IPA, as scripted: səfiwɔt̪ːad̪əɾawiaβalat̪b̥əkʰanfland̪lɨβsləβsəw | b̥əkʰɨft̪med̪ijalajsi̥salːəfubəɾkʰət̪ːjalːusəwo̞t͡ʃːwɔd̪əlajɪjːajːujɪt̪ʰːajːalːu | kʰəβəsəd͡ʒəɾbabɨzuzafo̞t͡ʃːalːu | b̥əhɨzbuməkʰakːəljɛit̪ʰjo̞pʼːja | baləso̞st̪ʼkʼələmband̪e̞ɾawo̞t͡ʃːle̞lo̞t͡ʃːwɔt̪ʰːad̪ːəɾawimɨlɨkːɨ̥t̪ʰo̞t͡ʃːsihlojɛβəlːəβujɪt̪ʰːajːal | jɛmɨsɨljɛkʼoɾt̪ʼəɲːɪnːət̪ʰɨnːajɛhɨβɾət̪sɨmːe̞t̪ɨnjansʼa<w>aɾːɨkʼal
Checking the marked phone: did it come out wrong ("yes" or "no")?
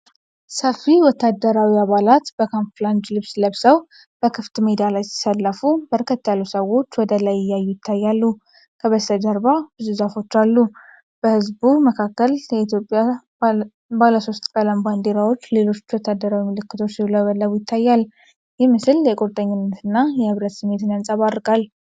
yes